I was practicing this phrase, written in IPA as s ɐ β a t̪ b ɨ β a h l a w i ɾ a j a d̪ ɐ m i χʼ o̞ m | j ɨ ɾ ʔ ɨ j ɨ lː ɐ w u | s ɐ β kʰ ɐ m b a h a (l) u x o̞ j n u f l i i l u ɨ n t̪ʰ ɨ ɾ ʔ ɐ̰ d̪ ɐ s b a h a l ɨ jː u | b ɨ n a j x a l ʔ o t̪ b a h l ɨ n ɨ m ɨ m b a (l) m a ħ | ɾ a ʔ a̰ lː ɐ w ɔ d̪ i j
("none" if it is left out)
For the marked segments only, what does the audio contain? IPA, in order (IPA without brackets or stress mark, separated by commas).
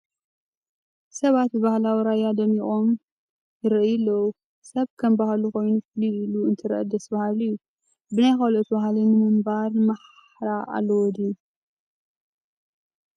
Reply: l, ɾ